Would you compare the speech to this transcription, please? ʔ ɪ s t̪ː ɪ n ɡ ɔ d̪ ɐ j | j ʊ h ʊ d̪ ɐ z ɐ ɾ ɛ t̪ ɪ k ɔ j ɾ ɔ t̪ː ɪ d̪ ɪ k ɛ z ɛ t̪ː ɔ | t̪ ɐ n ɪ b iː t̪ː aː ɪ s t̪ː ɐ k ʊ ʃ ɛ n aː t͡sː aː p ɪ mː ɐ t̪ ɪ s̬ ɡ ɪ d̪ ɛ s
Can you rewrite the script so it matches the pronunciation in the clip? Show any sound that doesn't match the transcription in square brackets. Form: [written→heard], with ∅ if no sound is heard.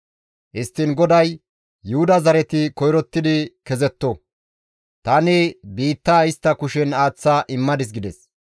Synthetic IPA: ʔ ɪ s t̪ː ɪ n ɡ ɔ d̪ ɐ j | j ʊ h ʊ d̪ ɐ z ɐ ɾ ɛ t̪ ɪ k ɔ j ɾ ɔ t̪ː ɪ d̪ ɪ k ɛ z ɛ t̪ː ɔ | t̪ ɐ n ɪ b iː t̪ː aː ɪ s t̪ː ɐ k ʊ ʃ ɛ n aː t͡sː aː [p→ʔ] ɪ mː ɐ [t̪→d̪] ɪ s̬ ɡ ɪ d̪ ɛ s